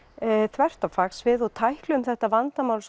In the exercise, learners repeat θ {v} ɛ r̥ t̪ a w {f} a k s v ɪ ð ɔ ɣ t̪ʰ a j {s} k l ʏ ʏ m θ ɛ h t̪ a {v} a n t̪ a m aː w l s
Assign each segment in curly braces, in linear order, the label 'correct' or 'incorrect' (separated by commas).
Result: correct, correct, incorrect, correct